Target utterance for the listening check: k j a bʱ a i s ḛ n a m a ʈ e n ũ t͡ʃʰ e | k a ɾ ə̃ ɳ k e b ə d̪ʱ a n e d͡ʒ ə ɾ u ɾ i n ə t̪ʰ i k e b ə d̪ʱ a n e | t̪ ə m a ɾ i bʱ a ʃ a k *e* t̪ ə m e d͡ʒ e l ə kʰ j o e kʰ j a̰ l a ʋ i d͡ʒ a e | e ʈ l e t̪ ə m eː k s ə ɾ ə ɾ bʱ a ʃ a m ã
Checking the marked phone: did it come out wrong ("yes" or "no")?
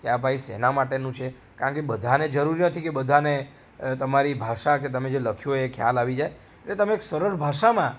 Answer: no